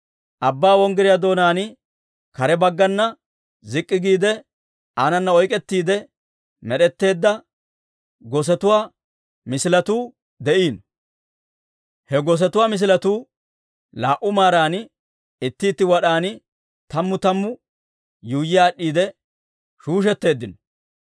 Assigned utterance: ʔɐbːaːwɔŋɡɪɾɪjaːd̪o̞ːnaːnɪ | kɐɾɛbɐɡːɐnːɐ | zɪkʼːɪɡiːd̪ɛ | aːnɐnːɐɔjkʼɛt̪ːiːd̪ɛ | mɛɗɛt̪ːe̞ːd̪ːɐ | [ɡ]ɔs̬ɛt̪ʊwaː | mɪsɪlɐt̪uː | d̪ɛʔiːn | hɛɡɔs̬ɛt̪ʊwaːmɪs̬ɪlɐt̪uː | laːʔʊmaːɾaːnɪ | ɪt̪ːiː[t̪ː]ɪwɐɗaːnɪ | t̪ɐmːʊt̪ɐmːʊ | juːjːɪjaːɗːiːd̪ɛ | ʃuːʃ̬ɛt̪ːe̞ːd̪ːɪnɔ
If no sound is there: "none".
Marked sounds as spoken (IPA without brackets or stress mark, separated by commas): ɡ, t̪ː